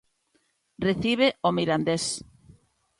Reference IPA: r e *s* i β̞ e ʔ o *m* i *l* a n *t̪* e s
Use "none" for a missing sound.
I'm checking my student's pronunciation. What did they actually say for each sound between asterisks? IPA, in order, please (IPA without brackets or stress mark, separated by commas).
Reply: θ, m, ɾ, d̪